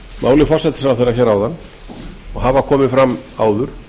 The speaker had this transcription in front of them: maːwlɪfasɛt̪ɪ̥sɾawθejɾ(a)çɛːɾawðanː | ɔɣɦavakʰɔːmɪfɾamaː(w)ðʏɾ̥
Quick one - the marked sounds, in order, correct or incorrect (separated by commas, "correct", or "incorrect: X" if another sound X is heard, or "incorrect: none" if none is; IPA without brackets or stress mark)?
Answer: correct, correct